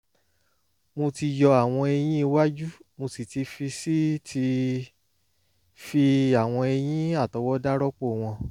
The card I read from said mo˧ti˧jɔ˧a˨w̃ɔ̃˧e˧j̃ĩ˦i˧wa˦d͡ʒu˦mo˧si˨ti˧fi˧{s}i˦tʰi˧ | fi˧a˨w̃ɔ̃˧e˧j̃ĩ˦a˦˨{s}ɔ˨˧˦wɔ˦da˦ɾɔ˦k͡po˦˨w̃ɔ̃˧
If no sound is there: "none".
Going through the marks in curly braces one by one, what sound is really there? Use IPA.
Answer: s, t

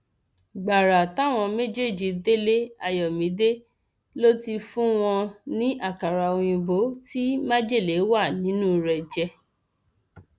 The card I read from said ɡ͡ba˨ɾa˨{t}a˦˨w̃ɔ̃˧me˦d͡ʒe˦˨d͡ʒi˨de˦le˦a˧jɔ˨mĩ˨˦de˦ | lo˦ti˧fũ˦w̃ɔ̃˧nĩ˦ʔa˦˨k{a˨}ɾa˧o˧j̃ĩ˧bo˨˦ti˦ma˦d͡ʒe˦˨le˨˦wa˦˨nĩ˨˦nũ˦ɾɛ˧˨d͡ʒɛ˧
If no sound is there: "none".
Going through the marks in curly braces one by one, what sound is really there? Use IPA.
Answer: t, a˨

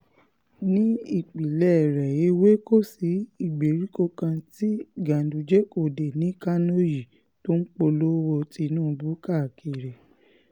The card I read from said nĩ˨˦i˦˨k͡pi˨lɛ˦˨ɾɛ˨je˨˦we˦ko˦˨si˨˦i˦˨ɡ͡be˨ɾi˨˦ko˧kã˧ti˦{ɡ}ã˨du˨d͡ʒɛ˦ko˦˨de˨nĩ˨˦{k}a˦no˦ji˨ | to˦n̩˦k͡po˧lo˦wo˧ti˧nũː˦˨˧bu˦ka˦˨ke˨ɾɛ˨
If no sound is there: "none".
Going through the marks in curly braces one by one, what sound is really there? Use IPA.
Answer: ɡ, k

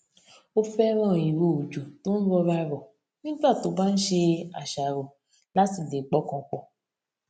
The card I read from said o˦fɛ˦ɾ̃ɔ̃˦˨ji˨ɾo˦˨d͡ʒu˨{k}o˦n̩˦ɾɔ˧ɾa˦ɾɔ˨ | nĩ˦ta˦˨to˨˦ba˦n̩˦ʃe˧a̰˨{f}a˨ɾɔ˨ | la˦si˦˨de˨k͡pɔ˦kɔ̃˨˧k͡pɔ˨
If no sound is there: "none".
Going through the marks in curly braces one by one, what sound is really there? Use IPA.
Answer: t, ʃ

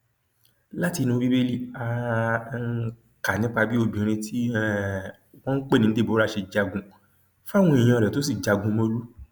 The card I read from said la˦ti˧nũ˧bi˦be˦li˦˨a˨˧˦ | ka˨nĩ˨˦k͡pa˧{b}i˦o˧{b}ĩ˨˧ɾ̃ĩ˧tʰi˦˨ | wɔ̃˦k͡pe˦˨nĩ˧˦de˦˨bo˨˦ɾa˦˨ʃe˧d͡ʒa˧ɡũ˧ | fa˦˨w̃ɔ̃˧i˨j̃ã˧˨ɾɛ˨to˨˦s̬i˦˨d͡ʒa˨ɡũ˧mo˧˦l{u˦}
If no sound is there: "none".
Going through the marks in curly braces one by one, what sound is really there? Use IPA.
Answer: b, b, u˦

